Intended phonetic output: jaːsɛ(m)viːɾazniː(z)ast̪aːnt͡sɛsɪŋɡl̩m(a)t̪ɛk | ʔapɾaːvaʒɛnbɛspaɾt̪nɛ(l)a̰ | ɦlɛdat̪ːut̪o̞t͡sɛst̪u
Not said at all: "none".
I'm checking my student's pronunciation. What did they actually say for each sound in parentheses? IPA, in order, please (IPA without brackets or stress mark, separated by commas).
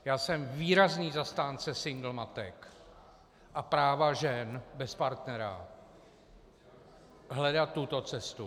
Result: m, z, a, ɾ